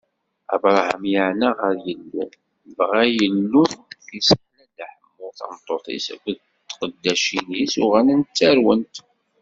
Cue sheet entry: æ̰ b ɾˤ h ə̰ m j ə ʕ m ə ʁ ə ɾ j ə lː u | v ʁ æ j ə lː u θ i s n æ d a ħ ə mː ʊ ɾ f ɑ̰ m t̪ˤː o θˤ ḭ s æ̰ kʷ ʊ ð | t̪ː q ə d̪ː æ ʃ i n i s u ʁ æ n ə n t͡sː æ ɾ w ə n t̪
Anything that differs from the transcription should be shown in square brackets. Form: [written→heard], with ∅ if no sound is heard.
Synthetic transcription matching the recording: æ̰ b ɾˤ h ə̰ m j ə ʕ [m→n] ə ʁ ə ɾ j ə lː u | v ʁ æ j ə lː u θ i s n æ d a ħ ə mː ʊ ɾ [f→θ] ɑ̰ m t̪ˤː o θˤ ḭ s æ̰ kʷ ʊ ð | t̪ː q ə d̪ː æ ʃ i n i s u ʁ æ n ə n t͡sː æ ɾ w ə n t̪